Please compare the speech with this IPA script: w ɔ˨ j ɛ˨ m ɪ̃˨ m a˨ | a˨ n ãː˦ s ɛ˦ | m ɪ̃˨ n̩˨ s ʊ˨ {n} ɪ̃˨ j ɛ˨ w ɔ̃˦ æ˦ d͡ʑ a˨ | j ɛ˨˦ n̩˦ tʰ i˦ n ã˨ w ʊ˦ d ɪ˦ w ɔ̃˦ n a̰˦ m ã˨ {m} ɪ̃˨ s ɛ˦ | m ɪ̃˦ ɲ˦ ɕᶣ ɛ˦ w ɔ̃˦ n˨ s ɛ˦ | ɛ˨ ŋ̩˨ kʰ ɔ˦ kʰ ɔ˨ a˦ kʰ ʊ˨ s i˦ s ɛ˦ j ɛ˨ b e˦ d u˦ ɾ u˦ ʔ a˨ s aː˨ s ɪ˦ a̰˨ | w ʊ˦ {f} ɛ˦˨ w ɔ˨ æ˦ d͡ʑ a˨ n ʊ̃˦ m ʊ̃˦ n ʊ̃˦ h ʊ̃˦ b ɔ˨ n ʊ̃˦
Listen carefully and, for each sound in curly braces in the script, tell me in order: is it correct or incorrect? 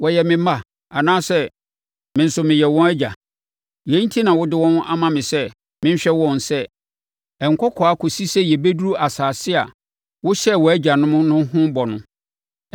incorrect: m, correct, incorrect: ɕ

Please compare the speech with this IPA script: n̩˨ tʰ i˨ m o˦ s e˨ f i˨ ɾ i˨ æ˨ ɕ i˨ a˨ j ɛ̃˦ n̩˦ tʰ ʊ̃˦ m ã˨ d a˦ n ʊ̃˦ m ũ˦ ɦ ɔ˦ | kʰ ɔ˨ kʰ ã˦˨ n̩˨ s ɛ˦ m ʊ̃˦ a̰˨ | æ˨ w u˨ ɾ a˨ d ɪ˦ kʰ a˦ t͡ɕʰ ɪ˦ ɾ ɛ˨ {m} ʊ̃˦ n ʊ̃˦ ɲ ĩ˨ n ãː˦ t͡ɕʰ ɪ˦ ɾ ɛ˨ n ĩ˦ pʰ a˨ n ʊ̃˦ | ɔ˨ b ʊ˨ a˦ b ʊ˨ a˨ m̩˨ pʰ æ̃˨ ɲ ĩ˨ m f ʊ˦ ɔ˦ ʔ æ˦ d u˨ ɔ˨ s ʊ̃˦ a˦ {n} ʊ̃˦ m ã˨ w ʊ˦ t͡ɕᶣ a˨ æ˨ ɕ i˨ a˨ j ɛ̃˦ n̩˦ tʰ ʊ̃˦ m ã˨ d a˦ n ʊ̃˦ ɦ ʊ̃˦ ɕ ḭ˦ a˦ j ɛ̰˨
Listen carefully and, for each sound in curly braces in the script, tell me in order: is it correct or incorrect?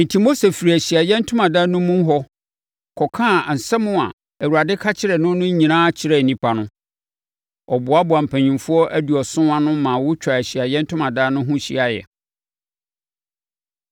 incorrect: n, correct

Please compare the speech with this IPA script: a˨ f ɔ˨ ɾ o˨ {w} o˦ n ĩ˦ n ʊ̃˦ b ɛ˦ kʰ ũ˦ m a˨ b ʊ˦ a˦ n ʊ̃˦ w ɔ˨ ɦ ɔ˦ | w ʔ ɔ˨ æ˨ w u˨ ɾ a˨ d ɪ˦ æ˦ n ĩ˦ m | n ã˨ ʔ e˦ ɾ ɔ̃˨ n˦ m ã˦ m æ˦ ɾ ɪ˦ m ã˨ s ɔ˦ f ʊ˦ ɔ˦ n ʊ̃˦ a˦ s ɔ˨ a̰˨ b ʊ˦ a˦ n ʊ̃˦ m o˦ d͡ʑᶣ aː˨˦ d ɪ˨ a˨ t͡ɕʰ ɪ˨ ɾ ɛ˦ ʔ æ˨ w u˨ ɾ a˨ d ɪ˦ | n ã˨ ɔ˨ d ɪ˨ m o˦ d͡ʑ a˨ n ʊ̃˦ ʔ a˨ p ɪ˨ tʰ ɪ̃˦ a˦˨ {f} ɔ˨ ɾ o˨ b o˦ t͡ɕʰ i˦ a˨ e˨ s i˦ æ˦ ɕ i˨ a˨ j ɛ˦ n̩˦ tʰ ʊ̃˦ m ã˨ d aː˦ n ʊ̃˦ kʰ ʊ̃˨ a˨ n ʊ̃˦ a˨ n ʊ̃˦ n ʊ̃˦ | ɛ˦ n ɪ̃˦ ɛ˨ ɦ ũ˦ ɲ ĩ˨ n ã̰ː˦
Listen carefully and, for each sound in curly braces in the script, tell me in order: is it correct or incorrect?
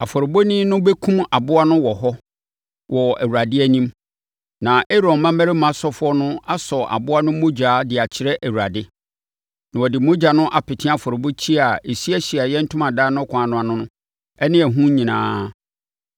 incorrect: b, correct

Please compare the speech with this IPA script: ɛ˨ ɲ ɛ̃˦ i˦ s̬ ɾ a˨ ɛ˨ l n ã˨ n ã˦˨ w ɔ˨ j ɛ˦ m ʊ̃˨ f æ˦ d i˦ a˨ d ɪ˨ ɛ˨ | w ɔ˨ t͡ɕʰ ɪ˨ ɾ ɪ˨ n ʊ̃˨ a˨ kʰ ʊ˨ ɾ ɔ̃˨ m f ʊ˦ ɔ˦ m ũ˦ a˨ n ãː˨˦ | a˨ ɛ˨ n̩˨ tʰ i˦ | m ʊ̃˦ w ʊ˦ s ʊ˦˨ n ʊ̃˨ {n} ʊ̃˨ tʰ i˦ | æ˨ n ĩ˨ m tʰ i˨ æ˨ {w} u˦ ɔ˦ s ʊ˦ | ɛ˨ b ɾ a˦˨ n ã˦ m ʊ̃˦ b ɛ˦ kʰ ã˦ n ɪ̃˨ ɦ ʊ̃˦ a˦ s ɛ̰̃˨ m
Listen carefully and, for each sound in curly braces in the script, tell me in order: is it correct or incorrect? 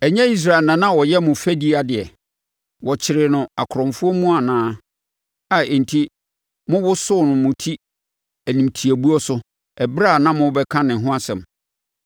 incorrect: m, incorrect: b

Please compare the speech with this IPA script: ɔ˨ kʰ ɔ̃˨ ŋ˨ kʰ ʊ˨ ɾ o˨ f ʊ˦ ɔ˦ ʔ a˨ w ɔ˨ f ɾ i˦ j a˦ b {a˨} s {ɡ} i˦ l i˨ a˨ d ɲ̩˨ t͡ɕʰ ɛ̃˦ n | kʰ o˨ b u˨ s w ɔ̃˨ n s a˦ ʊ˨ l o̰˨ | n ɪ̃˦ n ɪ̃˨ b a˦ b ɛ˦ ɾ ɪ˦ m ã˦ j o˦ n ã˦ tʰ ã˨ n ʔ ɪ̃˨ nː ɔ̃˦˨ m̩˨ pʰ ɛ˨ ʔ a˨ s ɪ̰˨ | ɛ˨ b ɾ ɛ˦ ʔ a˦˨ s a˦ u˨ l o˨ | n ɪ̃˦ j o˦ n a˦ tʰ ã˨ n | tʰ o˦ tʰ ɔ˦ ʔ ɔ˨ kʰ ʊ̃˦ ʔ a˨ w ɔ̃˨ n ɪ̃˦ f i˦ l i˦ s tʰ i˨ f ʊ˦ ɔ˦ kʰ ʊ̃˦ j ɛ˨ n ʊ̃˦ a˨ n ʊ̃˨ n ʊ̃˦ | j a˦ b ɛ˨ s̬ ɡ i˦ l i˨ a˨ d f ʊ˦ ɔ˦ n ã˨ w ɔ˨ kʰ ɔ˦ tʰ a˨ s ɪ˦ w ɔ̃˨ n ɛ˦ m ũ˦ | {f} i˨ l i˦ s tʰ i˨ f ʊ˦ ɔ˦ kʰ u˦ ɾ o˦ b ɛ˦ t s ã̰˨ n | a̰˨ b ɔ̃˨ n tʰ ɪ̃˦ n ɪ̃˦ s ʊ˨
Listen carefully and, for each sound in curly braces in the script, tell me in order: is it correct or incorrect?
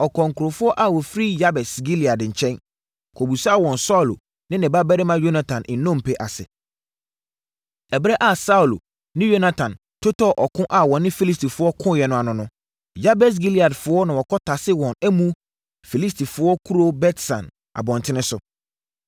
incorrect: ɛ˨, correct, correct

